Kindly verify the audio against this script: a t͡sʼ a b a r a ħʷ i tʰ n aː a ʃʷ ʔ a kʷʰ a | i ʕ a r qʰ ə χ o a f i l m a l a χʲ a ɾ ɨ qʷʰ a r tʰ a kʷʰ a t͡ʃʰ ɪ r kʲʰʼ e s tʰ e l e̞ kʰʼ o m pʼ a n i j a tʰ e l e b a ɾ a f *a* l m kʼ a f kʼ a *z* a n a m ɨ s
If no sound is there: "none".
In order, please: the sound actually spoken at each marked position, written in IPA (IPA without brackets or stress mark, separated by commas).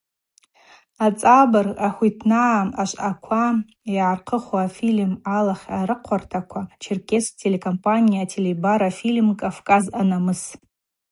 i, z